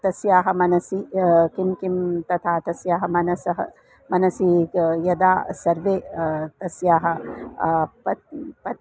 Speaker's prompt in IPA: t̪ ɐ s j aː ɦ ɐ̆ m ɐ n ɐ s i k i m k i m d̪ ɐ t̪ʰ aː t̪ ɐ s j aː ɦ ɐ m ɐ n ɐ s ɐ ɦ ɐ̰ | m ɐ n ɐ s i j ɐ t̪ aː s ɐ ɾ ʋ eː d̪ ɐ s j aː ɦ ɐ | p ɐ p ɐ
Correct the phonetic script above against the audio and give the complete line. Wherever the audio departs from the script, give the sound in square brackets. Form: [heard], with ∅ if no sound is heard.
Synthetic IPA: t̪ ɐ s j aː ɦ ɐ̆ m ɐ n ɐ s i k i m k i m [t̪] ɐ t̪ʰ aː t̪ ɐ s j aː ɦ ɐ m ɐ n ɐ s ɐ ɦ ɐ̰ | m ɐ n ɐ s i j ɐ [d̪] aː s ɐ ɾ ʋ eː [t̪] ɐ s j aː ɦ ɐ | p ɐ p ɐ